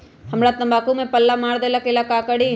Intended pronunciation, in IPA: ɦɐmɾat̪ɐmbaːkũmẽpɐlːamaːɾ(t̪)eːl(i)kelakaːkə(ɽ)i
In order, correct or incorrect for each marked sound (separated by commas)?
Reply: incorrect, incorrect, correct